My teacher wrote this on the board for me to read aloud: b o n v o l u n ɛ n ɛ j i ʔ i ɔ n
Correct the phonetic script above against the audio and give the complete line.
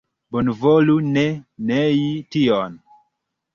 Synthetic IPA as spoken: b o n v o l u n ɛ n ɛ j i t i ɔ n